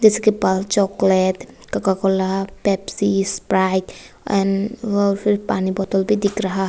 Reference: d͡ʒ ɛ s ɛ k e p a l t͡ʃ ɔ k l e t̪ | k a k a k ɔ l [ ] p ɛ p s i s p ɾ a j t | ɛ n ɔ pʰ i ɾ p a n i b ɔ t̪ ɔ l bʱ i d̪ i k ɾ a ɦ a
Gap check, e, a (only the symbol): a